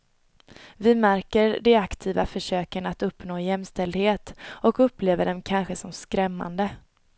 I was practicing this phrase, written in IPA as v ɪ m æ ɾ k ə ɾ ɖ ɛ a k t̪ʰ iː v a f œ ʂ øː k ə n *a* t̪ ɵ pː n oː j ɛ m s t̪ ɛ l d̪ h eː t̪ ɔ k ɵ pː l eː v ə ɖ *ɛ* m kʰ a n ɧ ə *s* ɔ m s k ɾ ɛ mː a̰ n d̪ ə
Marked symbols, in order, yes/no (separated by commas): yes, yes, yes